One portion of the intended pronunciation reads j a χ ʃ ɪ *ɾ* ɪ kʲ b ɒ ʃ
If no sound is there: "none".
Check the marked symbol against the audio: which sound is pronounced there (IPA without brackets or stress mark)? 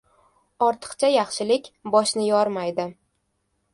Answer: l